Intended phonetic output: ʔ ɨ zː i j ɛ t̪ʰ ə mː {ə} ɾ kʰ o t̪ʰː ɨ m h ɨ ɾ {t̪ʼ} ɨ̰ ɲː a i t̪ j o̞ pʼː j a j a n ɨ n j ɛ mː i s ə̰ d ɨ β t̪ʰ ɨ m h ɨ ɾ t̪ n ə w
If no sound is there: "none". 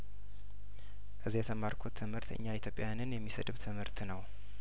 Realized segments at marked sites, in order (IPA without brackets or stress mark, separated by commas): a, t̪